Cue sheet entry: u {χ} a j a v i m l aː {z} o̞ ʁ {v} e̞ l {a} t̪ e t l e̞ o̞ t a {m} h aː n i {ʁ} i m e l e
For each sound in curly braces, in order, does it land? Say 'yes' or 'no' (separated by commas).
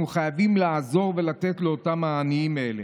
yes, yes, yes, yes, yes, no